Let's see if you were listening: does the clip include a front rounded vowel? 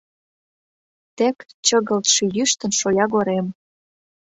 yes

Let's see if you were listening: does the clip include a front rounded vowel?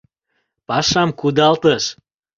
no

